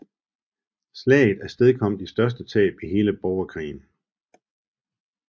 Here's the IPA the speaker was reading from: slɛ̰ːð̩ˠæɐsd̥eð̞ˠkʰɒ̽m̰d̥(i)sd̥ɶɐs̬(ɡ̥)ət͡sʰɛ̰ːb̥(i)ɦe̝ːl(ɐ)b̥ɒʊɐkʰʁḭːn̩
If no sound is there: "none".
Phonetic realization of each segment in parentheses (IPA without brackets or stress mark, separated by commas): i, d̥, i, ə